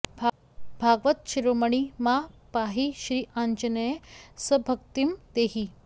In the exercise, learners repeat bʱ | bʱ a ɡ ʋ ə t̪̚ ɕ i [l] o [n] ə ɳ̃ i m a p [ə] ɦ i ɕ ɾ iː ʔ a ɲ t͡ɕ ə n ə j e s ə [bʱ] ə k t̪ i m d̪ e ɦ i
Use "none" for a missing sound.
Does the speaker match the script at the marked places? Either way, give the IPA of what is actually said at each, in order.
ɾ, m, a, bʱ

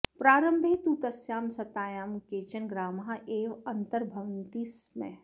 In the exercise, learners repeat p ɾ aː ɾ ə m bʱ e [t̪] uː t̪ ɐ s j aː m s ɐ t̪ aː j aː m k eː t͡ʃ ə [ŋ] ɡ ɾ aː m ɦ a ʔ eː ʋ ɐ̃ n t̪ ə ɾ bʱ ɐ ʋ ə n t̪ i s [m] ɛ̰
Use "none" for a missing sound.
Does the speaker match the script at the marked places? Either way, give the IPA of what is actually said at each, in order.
t̪, n, m

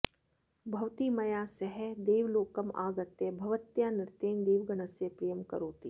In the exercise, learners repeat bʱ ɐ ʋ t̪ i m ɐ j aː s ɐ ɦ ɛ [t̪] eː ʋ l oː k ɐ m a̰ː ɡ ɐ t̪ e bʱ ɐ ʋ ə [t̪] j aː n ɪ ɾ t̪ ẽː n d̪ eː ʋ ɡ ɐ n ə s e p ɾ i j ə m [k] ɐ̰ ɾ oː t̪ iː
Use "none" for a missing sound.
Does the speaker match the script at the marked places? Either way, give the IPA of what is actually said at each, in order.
d̪, t̪, k

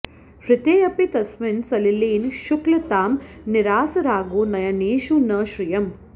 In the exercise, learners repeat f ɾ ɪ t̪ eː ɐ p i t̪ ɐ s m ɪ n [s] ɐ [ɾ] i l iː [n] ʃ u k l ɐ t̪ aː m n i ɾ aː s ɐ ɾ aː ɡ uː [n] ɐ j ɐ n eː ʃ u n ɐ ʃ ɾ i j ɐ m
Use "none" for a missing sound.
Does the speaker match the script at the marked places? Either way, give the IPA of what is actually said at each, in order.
s, l, n, n

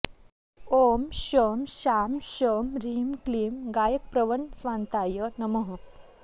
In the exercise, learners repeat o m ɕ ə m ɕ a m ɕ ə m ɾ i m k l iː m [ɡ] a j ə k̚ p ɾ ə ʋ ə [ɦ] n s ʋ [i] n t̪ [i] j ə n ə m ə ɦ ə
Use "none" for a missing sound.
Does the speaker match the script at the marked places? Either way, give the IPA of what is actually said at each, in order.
ɡ, none, a, a

